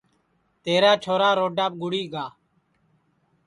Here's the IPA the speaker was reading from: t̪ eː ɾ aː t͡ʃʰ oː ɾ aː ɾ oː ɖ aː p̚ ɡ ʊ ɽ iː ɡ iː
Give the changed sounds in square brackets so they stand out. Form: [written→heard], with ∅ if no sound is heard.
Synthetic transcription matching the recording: t̪ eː ɾ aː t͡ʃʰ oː ɾ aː ɾ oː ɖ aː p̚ ɡ ʊ ɽ iː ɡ [iː→aː]

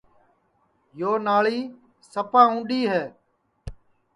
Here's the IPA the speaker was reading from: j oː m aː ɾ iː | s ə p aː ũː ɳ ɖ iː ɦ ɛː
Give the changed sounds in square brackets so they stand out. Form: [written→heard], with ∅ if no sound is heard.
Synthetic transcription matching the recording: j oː [m→n] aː [ɾ→ɭ] iː | s ə p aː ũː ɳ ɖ iː ɦ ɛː

